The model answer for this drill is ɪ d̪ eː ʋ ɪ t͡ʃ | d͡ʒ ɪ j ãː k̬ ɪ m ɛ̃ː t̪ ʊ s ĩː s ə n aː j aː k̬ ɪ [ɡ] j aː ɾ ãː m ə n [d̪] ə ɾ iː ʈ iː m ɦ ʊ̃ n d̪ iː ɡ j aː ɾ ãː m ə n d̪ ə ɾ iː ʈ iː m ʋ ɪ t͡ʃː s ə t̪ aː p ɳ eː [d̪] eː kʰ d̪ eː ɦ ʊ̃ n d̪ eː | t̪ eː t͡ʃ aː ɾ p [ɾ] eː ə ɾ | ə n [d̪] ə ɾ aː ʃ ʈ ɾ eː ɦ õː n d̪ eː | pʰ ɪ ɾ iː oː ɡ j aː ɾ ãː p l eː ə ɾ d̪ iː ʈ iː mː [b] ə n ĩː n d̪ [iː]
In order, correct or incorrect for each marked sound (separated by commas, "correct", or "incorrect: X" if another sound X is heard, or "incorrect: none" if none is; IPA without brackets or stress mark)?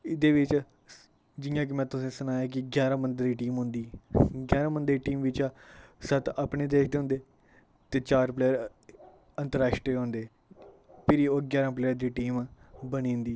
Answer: correct, correct, correct, incorrect: l, incorrect: t̪, correct, correct